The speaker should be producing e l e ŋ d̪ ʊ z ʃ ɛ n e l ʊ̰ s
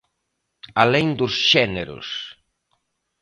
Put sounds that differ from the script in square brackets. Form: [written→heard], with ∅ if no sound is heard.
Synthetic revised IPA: [e→a] l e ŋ d̪ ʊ [z→s] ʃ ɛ n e [l→ɾ] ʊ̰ s